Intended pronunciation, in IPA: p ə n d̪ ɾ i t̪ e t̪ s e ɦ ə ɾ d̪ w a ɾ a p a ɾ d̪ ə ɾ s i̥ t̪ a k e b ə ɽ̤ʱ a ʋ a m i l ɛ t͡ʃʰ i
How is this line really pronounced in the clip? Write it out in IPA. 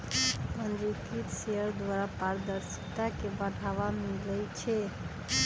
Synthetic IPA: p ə n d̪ ɾ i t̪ i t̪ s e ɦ ə ɾ d̪ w a ɾ a p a ɾ d̪ ə ɾ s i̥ t̪ a k e b ə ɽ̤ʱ a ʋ a m i l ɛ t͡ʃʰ ɛ